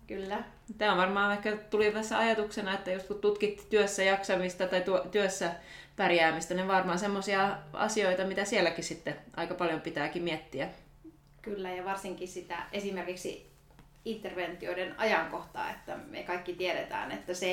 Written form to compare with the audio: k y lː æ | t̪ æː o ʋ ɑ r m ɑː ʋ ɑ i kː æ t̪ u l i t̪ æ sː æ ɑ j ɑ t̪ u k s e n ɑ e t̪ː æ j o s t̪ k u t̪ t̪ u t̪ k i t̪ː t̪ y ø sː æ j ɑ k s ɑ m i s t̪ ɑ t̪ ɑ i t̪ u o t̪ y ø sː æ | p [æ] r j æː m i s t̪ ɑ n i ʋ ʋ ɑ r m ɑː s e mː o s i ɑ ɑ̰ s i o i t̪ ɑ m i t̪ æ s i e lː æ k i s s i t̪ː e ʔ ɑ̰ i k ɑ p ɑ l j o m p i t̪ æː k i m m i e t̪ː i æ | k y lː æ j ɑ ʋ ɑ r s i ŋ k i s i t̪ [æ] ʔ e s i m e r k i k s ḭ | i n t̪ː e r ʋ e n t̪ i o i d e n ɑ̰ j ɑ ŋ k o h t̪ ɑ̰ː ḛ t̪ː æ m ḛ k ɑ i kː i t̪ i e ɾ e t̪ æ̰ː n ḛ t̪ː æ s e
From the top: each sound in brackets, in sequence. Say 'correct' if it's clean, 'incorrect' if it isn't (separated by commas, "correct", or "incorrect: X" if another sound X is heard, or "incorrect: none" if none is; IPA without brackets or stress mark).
correct, correct